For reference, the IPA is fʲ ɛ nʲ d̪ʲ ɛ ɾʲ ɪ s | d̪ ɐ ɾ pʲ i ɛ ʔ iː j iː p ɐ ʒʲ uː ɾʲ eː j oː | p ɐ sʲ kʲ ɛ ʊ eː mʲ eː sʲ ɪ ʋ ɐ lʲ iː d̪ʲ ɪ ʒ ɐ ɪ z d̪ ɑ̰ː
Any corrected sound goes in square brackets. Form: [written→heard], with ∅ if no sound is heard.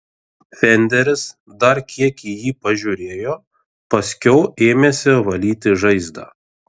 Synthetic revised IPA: fʲ ɛ nʲ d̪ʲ ɛ ɾʲ ɪ s | d̪ ɐ ɾ [pʲ→kʲ] i ɛ [ʔ→k] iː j iː p ɐ ʒʲ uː ɾʲ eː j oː | p ɐ sʲ kʲ ɛ ʊ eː mʲ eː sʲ ɪ ʋ ɐ lʲ iː [d̪ʲ→t̪ʲ] ɪ ʒ ɐ ɪ z d̪ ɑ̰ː